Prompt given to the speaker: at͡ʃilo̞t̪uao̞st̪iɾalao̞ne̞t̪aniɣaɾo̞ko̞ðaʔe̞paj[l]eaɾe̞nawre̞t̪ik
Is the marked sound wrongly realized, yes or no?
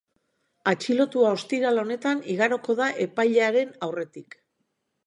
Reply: yes